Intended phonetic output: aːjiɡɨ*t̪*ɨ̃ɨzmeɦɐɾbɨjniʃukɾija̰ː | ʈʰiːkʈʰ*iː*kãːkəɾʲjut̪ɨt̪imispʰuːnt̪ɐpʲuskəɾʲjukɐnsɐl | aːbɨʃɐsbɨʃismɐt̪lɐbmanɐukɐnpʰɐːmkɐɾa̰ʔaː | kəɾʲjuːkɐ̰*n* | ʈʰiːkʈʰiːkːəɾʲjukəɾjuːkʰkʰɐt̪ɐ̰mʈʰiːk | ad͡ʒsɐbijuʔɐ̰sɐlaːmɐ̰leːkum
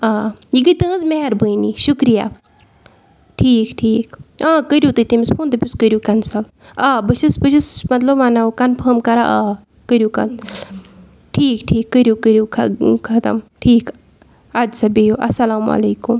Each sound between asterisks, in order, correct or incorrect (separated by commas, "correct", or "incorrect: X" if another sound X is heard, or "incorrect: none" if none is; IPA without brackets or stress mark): correct, correct, correct